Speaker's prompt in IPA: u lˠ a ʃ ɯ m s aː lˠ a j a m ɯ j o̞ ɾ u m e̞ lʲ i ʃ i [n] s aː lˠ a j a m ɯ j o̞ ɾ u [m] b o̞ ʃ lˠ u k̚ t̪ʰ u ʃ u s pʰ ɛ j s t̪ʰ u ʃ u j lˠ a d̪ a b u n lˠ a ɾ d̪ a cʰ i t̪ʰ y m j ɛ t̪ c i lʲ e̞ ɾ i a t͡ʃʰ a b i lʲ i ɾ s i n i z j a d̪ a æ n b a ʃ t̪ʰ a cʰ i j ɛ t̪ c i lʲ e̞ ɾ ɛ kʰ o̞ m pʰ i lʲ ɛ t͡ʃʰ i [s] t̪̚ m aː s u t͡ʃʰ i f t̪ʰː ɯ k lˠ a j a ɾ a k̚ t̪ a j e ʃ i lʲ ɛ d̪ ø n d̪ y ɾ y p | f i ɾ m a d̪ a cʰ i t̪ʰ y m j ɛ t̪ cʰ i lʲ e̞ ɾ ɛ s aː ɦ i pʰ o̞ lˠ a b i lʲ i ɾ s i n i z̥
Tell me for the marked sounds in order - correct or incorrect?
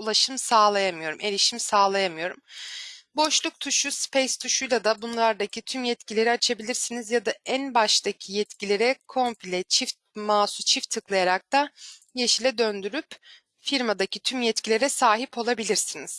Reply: incorrect, correct, incorrect

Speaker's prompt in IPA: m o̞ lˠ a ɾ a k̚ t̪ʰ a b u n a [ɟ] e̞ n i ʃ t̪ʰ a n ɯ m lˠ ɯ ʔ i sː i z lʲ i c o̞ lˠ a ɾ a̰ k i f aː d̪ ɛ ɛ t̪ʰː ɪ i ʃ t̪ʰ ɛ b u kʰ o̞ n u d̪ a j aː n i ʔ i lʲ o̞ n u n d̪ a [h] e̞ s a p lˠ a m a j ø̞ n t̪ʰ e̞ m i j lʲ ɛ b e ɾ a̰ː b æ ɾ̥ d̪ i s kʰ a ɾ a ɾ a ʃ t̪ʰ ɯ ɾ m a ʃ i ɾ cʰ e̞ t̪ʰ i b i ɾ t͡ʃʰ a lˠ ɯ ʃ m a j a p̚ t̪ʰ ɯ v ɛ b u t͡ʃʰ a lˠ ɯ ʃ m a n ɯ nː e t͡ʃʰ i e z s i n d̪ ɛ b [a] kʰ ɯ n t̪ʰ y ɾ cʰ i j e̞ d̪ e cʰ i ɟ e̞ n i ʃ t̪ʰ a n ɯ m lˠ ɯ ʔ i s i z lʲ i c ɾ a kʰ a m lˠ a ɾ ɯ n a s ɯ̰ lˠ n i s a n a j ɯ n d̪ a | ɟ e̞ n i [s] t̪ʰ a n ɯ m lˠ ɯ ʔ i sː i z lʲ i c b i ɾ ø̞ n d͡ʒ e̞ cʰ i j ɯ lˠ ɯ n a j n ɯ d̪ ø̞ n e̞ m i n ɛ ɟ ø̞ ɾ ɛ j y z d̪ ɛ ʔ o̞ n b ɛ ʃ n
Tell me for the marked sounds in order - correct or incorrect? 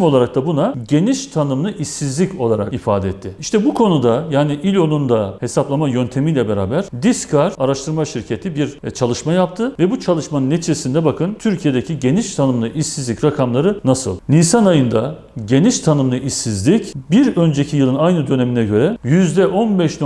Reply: correct, correct, correct, incorrect

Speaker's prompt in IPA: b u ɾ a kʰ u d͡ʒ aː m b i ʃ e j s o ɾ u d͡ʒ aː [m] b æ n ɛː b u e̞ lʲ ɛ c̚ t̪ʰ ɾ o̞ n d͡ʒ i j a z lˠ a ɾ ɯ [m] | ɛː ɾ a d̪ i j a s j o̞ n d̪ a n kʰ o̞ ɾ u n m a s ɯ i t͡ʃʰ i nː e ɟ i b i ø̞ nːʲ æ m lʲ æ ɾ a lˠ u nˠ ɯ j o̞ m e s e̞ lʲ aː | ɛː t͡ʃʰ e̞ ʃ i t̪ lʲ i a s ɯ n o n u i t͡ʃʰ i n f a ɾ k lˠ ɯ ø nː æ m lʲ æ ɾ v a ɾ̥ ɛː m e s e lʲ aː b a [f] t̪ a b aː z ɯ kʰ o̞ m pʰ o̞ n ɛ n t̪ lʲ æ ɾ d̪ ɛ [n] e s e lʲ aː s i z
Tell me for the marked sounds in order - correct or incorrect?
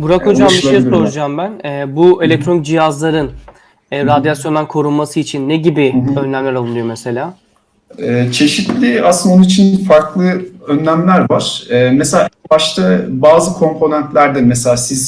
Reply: correct, incorrect, incorrect, incorrect

